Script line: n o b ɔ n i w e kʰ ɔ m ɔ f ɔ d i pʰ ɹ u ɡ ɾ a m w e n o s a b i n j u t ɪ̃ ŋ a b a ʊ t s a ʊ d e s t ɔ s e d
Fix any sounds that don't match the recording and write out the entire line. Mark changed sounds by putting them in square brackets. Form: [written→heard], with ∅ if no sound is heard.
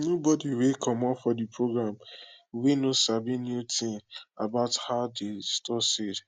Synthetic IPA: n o b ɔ [n→d] i w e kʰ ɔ m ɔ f ɔ d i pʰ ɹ [u→o] ɡ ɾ a m w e n o s a b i n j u t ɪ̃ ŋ a b a ʊ t [s→h] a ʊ d e s t ɔ s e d